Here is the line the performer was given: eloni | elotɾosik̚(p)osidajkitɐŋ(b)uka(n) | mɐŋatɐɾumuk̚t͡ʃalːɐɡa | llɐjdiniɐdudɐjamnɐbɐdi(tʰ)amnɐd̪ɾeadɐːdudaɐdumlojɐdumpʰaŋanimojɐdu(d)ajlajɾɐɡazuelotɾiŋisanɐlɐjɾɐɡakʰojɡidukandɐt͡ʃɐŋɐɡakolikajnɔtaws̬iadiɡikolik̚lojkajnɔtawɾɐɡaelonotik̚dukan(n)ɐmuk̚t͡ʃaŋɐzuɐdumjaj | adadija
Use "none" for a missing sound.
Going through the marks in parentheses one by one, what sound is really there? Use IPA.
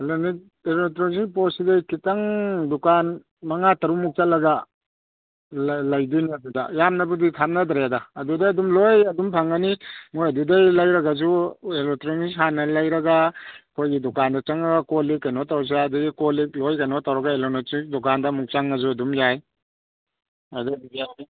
p, d, n, tʰ, d, d

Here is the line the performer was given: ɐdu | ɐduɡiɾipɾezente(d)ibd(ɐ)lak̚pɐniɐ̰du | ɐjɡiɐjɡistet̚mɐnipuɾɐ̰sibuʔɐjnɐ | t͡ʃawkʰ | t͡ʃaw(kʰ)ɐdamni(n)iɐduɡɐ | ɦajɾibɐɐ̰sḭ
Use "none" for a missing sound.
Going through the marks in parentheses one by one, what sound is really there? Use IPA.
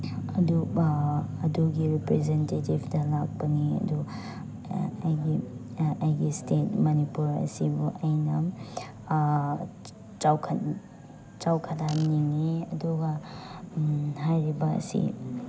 t, ɐ, kʰ, ŋ

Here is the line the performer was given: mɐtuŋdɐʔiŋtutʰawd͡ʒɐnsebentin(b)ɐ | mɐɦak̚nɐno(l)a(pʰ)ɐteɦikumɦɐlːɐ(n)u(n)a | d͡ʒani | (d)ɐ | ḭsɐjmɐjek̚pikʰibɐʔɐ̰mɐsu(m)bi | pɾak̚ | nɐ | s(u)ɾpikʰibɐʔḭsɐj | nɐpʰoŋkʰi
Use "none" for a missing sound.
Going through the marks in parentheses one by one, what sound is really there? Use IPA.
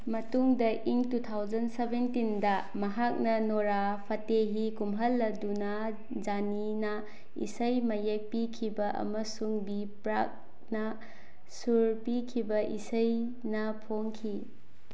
d, ɾ, pʰ, d, n, n, ŋ, u

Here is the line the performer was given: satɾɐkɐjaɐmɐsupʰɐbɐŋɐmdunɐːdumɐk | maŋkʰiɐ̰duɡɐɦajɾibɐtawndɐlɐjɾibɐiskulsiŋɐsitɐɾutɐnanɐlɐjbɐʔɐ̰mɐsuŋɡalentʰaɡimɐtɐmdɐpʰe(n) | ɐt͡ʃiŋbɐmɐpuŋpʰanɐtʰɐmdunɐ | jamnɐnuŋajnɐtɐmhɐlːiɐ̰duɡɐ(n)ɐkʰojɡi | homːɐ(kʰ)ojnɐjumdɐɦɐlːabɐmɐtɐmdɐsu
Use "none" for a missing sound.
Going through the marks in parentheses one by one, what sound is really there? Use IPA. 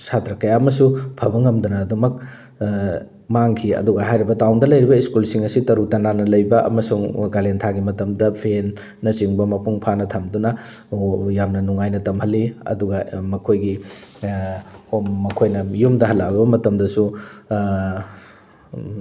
nː, m, kʰ

